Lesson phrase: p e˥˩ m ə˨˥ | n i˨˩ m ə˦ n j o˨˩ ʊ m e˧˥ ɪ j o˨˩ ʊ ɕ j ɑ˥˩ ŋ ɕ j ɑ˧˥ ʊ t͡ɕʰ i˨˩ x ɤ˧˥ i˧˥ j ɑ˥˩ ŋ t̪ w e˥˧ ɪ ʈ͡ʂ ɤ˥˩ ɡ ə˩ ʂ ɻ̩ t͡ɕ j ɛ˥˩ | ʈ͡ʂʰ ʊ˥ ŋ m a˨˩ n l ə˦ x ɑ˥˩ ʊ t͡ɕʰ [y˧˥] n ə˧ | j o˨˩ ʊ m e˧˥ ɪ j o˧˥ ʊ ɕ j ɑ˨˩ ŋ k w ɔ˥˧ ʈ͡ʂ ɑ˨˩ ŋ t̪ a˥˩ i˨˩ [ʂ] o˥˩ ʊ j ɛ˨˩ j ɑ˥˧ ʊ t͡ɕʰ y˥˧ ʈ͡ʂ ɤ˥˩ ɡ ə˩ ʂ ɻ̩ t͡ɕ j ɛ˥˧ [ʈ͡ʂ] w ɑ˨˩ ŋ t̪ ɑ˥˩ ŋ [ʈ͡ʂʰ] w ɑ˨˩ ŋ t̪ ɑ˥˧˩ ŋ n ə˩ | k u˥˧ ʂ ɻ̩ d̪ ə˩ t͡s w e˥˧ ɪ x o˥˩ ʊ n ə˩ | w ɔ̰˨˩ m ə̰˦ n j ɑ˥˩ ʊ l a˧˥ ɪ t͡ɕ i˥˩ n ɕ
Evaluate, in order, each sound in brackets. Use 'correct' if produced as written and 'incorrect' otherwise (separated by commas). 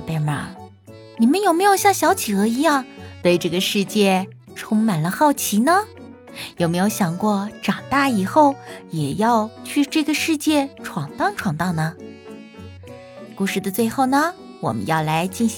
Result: incorrect, incorrect, incorrect, correct